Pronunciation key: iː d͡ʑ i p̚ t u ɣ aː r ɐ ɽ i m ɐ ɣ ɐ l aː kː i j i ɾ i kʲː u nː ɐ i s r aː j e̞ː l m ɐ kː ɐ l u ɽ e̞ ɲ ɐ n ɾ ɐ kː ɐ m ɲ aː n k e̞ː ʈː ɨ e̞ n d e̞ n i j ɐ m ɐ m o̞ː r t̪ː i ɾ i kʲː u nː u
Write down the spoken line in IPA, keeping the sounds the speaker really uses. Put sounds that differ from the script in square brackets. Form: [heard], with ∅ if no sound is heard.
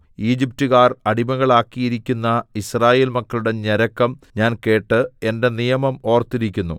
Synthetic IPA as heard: iː d͡ʑ i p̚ t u ɣ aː r ɐ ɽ i m ɐ ɣ ɐ [ɭ] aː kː i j i ɾ i kʲː u nː ɐ i s r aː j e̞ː l m ɐ kː ɐ l u ɽ e̞ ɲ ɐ [∅] ɾ ɐ kː ɐ m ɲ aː n k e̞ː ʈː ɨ e̞ n d e̞ n i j ɐ m ɐ m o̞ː r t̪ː i ɾ i kʲː u nː u